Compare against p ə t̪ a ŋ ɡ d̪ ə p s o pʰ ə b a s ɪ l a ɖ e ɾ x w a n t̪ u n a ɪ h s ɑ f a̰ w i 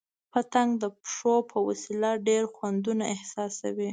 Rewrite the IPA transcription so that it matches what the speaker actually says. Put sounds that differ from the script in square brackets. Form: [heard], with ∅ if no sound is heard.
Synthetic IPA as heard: p ə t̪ a ŋ ɡ d̪ ə p [ʂ] o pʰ ə [w] a s [i] l a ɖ e ɾ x w a n [d̪] u n a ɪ h s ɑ [s] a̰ w i